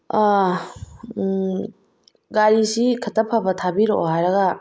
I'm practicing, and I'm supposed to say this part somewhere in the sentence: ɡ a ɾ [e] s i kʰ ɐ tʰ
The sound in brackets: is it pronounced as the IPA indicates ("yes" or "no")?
no